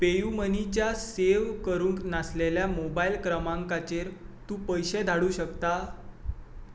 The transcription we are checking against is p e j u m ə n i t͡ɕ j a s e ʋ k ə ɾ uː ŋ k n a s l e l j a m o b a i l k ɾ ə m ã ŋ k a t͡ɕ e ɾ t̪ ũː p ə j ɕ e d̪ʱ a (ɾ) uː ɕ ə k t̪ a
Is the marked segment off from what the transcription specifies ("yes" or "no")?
yes